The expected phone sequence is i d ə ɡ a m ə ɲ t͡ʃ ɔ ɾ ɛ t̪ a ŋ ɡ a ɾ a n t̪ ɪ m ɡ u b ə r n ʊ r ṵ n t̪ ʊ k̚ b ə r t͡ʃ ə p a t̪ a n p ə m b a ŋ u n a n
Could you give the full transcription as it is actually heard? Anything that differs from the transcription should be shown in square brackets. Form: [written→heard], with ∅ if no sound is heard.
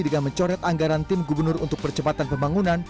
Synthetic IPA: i d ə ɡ a m ə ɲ t͡ʃ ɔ ɾ ɛ t̪ a ŋ ɡ a ɾ a n t̪ ɪ m ɡ u b ə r n ʊ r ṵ n t̪ ʊ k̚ [b→p] ə r t͡ʃ ə p a t̪ a n p ə m b a ŋ u n a n